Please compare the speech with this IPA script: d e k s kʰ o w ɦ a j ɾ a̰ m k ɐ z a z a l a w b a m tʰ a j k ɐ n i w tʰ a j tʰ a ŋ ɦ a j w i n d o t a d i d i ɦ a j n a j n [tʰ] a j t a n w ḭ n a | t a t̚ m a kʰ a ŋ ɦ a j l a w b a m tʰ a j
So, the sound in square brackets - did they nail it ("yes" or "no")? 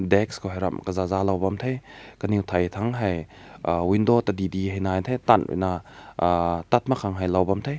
yes